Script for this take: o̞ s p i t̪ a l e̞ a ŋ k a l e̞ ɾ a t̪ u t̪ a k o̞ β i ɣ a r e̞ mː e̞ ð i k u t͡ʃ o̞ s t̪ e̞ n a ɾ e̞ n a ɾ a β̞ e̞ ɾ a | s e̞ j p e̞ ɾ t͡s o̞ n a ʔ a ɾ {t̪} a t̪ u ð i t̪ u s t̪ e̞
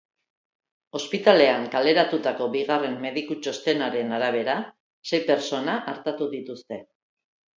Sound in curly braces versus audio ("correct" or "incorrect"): correct